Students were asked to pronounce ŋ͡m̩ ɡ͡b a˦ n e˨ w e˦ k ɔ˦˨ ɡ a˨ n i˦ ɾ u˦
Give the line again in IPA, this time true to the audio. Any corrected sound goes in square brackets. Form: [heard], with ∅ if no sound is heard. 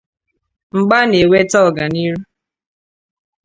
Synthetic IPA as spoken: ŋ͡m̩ ɡ͡b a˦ n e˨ w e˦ [t] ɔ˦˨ ɡ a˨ n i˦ ɾ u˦